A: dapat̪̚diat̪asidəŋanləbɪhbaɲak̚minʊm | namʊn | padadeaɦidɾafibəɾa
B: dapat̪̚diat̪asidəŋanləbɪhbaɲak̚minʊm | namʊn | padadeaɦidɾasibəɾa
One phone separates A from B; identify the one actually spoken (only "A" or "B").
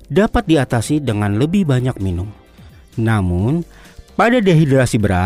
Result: B